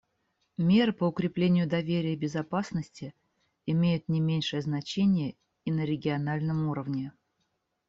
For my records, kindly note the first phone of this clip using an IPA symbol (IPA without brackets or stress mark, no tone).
mʲ